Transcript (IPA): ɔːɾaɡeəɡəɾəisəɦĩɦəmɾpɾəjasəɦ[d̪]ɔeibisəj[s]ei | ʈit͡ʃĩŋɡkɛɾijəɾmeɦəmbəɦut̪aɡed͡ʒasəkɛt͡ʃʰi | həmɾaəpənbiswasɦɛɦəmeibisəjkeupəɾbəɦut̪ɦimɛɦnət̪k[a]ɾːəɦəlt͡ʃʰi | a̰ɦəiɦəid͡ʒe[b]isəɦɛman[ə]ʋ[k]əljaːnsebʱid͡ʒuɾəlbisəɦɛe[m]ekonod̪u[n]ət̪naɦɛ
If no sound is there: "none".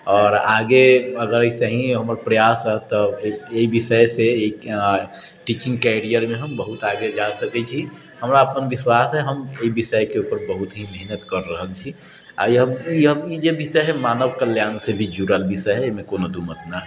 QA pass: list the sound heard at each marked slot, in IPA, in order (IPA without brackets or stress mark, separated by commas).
t̪, s, ə, b, ə, k, m, m